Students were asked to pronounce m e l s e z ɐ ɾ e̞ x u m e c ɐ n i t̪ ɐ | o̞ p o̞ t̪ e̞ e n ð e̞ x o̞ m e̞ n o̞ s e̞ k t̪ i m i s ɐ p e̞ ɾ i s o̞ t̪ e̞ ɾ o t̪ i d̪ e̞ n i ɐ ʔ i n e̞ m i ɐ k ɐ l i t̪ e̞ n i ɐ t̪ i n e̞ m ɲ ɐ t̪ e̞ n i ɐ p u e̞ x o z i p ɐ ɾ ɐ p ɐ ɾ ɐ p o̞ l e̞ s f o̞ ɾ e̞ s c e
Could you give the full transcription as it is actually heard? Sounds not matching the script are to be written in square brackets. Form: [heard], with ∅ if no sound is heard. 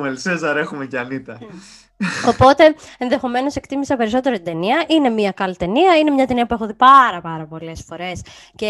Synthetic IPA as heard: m e l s e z ɐ ɾ e̞ x u m e c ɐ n i t̪ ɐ | o̞ p o̞ t̪ e̞ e n ð e̞ x o̞ m e̞ n o̞ s e̞ k t̪ i m i s ɐ p e̞ ɾ i s o̞ t̪ e̞ ɾ o t̪ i d̪ e̞ n i ɐ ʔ i n e̞ m i ɐ k ɐ l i t̪ e̞ n i ɐ [∅] i n e̞ m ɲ ɐ t̪ e̞ n i ɐ p u e̞ x o [ð] i p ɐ ɾ ɐ p ɐ ɾ ɐ p o̞ l e̞ s f o̞ ɾ e̞ s c e